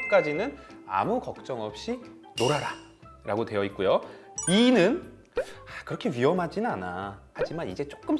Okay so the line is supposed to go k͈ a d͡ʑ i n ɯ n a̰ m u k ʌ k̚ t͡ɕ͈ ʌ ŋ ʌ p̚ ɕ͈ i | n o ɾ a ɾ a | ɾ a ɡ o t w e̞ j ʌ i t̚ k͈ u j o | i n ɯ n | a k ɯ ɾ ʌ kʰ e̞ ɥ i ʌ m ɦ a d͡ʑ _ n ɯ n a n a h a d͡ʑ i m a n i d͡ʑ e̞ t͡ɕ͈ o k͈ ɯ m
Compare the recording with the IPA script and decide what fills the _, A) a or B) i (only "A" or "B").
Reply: B